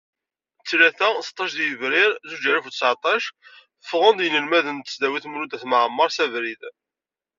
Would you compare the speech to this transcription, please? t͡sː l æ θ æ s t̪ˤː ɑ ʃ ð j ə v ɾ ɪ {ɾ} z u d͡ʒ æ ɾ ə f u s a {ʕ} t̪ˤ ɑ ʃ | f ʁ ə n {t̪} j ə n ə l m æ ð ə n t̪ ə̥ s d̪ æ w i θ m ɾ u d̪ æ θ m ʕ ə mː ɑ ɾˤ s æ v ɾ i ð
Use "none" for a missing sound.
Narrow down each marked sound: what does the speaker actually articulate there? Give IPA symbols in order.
ɾ, ʕ, d̪

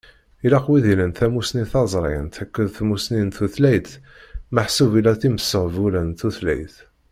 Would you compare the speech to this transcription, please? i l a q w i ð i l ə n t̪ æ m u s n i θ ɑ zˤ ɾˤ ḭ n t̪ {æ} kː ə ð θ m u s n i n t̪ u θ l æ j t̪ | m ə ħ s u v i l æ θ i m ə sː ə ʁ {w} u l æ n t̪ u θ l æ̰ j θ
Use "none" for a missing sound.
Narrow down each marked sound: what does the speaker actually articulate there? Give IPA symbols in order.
æ, v

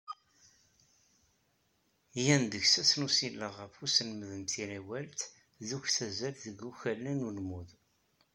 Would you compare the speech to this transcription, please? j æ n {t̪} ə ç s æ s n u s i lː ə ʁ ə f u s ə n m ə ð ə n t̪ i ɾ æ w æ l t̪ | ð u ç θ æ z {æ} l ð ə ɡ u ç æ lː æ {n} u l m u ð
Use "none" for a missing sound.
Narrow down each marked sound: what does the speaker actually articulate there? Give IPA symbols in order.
d̪, æ, n

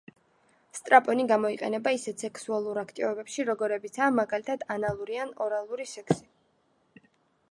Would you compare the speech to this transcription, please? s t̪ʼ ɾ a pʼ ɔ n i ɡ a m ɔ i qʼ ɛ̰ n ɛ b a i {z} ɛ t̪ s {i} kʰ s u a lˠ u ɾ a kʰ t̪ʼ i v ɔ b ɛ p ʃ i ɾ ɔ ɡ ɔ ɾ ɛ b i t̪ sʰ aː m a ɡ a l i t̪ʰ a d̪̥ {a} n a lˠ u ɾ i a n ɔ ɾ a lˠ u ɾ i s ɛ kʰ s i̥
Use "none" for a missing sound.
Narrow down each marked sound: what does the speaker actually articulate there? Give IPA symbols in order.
s, ɛ, a

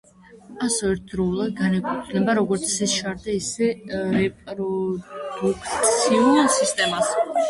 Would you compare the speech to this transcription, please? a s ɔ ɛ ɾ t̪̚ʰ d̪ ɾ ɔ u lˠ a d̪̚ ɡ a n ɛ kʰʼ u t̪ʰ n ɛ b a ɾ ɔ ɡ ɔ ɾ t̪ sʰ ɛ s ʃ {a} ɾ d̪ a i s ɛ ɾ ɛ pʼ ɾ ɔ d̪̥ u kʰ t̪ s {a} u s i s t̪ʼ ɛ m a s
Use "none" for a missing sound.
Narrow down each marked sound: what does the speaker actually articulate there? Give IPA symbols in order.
a, i

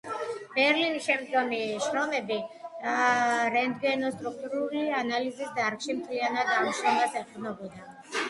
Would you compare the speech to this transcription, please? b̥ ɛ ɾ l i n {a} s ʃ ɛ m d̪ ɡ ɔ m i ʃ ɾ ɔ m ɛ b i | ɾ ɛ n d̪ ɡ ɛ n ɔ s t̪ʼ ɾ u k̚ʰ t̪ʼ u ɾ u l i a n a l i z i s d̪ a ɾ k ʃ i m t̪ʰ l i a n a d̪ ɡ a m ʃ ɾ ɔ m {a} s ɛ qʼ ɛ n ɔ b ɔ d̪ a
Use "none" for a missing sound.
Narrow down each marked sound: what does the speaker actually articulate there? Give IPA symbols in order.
i, a

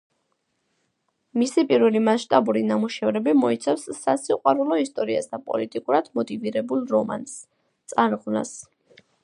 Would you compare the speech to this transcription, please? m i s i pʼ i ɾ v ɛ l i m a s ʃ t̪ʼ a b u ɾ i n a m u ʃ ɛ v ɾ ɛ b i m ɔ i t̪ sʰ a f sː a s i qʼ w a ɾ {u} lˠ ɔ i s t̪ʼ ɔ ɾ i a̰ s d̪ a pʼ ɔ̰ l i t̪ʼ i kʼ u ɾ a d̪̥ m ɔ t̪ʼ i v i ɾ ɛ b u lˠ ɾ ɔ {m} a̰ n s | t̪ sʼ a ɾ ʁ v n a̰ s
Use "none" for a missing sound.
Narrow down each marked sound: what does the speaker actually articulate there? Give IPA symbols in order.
u, m

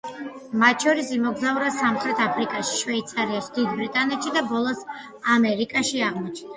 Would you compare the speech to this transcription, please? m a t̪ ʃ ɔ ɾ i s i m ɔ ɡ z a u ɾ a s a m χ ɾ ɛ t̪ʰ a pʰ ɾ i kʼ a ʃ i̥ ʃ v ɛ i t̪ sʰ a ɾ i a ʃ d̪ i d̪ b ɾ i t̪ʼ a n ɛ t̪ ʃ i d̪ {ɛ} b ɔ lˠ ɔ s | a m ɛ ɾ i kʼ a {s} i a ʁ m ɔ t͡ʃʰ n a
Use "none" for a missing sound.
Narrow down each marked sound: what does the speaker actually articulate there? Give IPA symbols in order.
a, ʃ

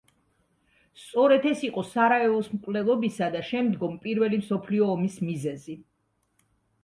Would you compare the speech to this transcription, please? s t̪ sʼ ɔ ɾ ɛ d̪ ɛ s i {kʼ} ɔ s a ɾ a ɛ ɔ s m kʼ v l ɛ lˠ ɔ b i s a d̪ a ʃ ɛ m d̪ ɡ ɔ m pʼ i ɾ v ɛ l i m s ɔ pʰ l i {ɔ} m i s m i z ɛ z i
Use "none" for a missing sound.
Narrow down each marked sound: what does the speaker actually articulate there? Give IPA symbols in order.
qʼ, ɔː

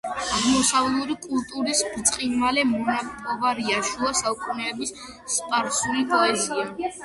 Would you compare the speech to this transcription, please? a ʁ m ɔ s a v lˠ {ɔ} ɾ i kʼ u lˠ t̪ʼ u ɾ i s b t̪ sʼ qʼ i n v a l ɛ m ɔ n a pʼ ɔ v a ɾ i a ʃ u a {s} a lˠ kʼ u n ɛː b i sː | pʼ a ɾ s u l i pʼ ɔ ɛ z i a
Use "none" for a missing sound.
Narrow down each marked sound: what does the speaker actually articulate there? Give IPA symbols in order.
u, s

